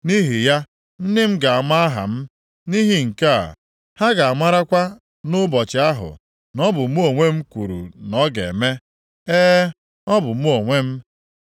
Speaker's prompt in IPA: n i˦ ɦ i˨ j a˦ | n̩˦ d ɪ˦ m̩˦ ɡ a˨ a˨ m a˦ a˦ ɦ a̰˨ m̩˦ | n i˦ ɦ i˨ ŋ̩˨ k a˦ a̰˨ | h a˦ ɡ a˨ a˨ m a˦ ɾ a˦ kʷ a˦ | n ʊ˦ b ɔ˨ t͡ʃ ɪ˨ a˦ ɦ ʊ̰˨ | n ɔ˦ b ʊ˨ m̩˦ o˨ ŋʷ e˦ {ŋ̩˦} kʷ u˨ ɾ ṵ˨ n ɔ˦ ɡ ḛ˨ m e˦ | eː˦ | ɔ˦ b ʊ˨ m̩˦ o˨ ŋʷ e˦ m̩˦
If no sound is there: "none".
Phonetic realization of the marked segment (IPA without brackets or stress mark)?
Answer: m̩˦